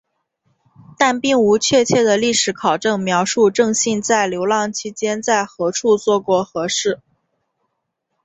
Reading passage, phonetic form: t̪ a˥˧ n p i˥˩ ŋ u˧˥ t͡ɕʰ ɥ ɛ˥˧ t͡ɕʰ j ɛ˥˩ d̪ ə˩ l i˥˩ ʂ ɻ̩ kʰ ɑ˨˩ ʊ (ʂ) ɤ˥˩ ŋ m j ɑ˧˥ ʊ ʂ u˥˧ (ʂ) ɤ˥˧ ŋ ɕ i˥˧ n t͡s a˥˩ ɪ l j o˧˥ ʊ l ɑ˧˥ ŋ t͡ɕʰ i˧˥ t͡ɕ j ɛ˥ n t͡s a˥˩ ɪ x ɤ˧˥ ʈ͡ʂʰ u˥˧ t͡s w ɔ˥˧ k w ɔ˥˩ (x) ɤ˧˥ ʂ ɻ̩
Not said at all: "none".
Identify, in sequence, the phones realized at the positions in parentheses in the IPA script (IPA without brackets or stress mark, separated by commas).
ʈ͡ʂ, ʈ͡ʂ, x